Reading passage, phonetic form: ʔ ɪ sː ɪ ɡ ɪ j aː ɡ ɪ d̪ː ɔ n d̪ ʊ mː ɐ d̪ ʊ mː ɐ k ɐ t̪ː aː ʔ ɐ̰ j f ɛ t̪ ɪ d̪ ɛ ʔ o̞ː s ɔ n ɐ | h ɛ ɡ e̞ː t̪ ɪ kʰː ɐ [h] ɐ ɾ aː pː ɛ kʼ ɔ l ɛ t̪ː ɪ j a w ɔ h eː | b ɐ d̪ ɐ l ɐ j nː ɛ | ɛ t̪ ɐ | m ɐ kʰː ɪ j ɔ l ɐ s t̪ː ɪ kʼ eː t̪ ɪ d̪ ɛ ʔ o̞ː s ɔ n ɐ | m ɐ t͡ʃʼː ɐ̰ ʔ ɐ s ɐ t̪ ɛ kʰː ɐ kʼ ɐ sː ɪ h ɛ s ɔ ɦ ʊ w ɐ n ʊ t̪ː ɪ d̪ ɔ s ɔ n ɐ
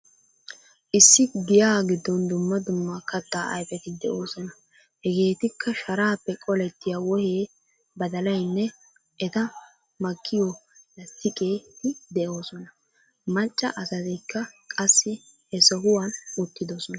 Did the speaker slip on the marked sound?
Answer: yes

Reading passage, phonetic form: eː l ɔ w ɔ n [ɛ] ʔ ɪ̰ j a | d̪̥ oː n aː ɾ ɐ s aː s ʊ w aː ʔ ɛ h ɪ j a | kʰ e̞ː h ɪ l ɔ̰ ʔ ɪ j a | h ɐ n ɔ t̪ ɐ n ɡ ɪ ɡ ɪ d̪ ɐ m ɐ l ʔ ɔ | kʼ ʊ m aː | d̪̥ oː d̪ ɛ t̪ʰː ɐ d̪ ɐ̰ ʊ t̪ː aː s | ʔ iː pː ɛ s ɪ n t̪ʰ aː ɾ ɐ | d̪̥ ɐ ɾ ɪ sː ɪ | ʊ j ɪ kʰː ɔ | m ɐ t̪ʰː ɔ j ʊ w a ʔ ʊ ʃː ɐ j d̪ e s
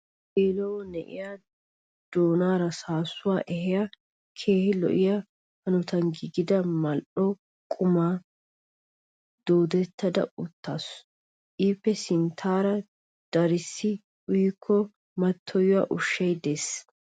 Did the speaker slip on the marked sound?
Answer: no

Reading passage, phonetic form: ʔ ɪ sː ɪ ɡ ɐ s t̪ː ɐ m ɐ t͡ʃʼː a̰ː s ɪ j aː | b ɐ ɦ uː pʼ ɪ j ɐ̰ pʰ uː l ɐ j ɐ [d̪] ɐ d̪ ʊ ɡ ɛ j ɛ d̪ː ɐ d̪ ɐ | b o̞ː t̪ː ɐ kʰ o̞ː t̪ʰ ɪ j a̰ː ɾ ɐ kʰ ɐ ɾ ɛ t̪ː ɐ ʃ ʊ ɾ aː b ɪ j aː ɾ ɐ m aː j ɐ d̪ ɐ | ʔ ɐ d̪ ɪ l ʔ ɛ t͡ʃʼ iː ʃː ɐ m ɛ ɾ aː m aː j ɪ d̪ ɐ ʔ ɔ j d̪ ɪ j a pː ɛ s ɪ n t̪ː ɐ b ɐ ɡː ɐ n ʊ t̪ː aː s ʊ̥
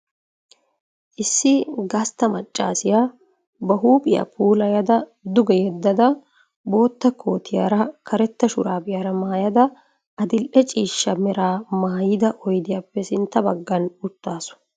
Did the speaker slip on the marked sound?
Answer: no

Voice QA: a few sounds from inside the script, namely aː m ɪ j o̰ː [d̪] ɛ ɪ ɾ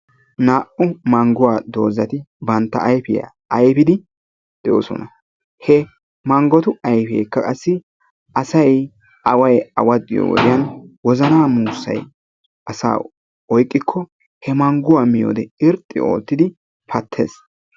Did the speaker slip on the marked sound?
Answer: no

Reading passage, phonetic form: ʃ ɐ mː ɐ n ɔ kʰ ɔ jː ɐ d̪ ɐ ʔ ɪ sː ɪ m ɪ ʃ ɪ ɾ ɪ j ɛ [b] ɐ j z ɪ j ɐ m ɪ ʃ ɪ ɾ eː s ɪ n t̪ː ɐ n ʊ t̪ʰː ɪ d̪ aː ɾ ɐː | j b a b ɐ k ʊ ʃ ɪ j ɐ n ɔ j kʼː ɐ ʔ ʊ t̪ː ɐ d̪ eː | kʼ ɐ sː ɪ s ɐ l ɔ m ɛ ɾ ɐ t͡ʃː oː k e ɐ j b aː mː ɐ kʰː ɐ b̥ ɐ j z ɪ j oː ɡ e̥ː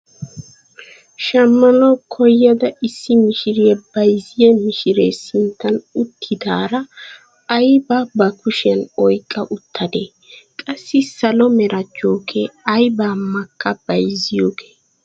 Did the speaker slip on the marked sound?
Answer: no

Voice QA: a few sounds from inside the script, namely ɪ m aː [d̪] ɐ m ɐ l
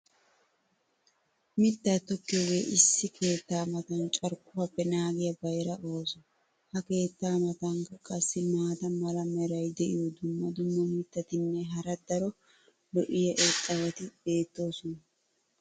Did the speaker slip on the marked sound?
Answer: yes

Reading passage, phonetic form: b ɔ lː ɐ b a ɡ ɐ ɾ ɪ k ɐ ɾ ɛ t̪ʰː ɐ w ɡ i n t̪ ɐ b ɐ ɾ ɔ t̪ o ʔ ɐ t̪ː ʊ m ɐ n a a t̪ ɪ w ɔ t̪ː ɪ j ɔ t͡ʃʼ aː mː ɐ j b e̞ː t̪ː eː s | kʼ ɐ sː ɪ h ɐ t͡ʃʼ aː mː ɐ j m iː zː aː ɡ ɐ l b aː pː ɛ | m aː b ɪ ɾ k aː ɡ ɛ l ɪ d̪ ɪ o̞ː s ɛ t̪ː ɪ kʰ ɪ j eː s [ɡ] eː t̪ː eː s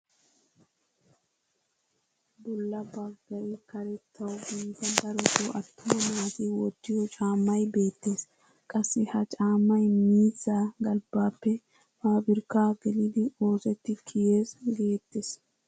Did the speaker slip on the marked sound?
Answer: no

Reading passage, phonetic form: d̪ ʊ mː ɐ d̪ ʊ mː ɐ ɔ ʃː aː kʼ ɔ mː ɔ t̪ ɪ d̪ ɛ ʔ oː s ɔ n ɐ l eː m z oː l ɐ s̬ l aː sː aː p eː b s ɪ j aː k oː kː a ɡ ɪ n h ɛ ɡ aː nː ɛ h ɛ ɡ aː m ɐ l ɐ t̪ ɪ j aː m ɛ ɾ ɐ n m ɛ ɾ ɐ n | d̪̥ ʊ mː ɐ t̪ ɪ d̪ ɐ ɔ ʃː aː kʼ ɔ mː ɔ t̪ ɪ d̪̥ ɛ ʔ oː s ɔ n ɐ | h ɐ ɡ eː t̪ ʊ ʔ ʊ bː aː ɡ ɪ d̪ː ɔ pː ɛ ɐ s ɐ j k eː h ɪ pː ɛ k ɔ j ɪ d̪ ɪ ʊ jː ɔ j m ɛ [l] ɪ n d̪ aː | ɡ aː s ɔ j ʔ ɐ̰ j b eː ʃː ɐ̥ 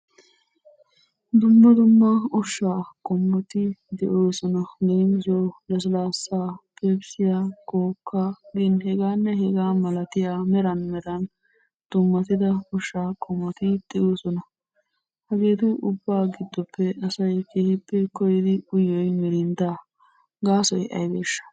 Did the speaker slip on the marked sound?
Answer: yes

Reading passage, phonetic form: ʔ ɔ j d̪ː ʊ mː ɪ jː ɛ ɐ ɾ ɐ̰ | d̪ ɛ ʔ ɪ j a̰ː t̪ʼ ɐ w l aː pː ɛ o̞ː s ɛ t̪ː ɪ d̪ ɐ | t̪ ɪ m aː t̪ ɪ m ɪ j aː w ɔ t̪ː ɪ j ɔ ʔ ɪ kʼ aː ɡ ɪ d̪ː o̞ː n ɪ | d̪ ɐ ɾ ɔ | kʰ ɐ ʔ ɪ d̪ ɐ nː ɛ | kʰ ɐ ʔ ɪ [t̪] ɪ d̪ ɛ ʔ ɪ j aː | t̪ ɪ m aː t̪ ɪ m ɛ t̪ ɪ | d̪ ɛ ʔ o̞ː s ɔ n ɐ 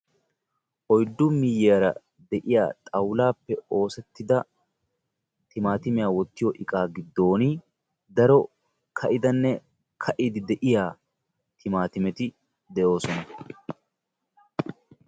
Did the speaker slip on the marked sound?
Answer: yes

